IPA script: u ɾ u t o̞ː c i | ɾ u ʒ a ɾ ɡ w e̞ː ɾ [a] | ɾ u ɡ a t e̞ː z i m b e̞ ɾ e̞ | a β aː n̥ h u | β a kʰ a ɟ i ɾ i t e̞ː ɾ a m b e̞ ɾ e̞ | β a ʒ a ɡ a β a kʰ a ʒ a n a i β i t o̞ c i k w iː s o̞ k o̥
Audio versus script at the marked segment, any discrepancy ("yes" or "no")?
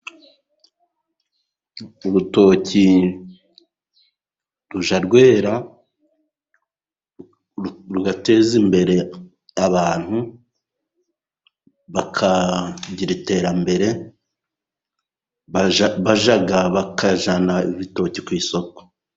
no